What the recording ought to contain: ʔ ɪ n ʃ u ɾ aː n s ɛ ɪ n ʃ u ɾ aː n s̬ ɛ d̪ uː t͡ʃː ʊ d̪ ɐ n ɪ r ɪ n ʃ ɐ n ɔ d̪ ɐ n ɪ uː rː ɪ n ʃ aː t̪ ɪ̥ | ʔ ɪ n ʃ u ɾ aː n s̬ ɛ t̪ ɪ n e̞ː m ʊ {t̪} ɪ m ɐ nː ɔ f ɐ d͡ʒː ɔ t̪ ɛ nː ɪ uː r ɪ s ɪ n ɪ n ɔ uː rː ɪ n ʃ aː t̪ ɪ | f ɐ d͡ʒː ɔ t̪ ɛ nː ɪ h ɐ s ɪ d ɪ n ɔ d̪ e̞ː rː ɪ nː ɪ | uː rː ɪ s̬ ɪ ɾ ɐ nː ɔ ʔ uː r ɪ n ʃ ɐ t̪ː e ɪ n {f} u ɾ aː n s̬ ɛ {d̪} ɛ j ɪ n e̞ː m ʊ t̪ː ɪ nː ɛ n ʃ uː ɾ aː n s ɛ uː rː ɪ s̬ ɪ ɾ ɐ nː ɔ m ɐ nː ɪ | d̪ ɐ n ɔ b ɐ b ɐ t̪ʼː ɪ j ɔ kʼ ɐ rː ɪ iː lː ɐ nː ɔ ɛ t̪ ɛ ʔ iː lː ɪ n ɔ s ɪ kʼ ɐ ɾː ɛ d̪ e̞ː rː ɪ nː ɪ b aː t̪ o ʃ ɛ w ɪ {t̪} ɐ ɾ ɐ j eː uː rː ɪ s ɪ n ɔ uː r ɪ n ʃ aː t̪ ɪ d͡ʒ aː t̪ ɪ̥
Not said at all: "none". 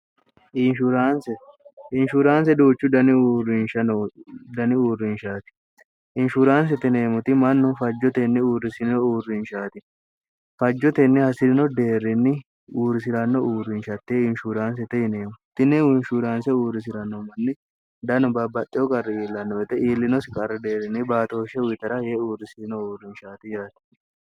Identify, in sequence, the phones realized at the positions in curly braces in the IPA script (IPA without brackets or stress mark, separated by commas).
t̪, ʃ, t̪, t̪